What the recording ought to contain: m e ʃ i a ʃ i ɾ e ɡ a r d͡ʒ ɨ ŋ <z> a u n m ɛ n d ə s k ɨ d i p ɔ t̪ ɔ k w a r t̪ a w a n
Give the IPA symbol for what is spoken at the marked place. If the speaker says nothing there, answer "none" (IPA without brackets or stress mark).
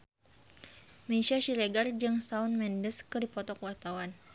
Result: s